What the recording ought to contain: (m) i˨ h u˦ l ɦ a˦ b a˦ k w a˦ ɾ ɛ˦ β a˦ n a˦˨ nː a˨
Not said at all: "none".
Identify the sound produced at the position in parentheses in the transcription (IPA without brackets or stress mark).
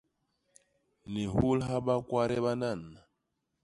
n